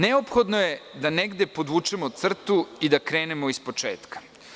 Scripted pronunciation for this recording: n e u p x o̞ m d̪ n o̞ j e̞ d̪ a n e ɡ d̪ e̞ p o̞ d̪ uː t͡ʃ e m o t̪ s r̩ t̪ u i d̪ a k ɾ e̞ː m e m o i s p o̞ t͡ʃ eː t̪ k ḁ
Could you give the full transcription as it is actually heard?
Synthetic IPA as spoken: n e o p x o̞ d̪ n o̞ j e̞ d̪ a n e ɡ d̪ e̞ p o̞ d̪ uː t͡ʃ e m o t̪ s r̩ t̪ u i d̪ a k ɾ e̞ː n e m o i s p o̞ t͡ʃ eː t̪ k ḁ

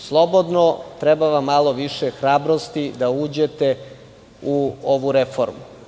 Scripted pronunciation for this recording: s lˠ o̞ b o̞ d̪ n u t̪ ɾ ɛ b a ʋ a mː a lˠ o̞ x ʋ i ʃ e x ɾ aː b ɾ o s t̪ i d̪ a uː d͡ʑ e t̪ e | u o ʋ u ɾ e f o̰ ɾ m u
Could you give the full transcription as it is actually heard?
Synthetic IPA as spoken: s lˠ o̞ b o̞ d̪ n o t̪ ɾ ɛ b a ʋ a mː a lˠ o̞ ʋ i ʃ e x ɾ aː b ɾ o s t̪ i d̪ a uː d͡ʑ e t̪ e | u o ʋ u ɾ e f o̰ ɾ m u

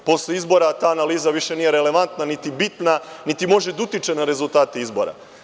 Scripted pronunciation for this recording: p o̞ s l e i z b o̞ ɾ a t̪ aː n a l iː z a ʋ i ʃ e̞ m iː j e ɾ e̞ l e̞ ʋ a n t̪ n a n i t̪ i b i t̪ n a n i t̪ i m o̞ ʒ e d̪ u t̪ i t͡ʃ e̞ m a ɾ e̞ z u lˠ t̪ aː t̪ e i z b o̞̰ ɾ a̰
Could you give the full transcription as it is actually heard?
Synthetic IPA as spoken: p o̞ s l e i z b o̞ ɾ a t̪ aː n a l iː z a ʋ i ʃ e̞ n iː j e ɾ e̞ l e̞ ʋ a n t̪ n a n i t̪ i b i t̪ n a n i t̪ i m o̞ ʒ e d̪ u t̪ i t͡ʃ e̞ n a ɾ e̞ z u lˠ t̪ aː t̪ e i z b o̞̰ ɾ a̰

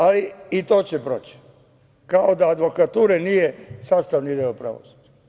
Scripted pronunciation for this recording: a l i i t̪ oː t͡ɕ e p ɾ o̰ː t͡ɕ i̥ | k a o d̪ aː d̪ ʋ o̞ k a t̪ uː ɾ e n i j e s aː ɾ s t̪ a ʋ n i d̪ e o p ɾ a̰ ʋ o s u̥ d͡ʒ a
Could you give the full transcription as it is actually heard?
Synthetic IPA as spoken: a l i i t̪ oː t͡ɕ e p ɾ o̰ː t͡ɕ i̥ | k a o d̪ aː d̪ ʋ o̞ k a t̪ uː ɾ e n i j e s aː s t̪ a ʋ n i d̪ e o p ɾ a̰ ʋ o s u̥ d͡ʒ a

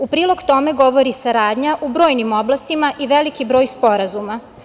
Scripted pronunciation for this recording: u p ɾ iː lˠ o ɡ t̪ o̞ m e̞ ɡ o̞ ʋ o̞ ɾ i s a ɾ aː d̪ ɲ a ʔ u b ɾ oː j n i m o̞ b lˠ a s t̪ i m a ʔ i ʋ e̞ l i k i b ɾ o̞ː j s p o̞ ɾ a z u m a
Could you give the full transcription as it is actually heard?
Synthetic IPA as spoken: u p ɾ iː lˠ o ɡ t̪ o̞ m e̞ ɡ o̞ ʋ o̞ ɾ i s a ɾ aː d̪ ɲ a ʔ u b ɾ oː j n i m o̞ b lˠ a s t̪ i m a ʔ i ʋ e̞ l i k i b ɾ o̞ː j s p o̞ ɾ a z u m a

